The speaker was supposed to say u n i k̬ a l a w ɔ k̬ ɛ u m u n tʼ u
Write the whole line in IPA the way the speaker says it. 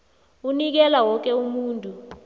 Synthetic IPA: u n i k̬ ɛ l a w ɔ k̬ ɛ u m uː n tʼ u